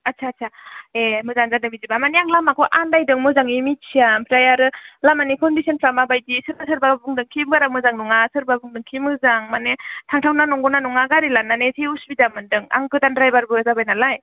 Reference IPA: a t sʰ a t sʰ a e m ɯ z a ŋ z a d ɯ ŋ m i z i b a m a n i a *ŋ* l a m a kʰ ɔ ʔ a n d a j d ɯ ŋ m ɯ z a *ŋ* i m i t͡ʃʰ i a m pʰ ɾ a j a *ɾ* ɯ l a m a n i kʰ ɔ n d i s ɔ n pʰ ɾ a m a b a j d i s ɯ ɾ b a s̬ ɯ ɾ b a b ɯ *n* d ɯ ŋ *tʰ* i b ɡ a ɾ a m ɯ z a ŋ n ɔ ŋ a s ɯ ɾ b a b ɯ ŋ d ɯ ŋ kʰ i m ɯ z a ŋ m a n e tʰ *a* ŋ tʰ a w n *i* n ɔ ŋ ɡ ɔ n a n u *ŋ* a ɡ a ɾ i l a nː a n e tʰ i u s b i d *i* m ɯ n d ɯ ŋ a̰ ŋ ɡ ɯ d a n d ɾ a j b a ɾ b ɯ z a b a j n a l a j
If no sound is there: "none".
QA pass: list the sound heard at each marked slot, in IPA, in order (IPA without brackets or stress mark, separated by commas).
ŋ, ŋ, ɾ, ŋ, kʰ, a, a, ŋ, a